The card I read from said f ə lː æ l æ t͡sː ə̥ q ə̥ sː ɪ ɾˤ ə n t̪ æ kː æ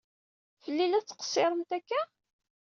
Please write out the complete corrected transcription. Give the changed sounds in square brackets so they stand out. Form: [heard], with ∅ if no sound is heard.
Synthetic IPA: f ə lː [i] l æ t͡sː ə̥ q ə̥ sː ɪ ɾˤ ə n t̪ æ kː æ